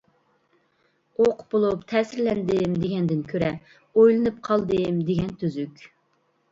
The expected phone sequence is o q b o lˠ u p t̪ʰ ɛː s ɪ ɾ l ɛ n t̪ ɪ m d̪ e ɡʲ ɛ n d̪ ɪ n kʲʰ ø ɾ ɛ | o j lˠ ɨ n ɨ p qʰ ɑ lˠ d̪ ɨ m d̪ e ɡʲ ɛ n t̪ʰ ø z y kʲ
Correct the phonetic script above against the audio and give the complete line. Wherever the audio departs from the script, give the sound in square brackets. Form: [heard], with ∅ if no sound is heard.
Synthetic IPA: o q b o lˠ u p t̪ʰ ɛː s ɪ ɾ l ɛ n [d̪] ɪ m d̪ e ɡʲ ɛ n d̪ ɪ n kʲʰ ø ɾ ɛ | o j lˠ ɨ n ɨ p qʰ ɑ lˠ d̪ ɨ m d̪ e ɡʲ ɛ n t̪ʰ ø z y kʲ